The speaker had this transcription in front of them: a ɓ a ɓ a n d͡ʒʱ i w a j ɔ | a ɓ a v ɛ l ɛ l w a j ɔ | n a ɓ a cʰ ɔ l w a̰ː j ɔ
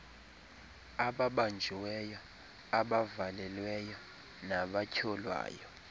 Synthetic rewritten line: a ɓ a ɓ a n d͡ʒʱ i w ɛ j ɔ | a ɓ a v a l ɛ l w ɛ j ɔ | n a ɓ a cʰ ɔ l w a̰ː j ɔ